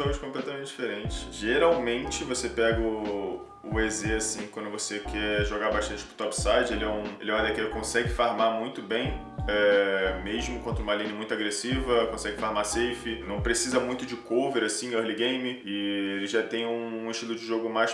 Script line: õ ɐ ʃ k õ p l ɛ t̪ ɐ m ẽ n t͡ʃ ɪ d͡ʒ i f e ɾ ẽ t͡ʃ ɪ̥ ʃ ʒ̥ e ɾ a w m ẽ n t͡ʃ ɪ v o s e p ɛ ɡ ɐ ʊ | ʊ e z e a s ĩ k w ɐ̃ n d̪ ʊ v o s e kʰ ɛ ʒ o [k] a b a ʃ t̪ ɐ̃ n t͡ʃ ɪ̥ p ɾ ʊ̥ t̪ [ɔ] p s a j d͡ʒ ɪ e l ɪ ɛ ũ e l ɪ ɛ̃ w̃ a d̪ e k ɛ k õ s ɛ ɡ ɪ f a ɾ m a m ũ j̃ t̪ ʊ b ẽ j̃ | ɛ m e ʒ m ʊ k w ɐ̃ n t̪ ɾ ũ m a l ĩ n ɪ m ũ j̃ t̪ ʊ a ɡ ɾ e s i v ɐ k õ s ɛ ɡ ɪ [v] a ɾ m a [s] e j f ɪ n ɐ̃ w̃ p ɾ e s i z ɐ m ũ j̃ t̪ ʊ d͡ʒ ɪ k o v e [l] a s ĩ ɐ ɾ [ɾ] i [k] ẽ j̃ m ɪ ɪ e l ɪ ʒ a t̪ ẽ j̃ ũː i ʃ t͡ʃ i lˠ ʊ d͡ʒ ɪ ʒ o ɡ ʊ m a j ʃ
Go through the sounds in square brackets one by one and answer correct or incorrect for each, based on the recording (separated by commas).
incorrect, correct, incorrect, correct, incorrect, incorrect, incorrect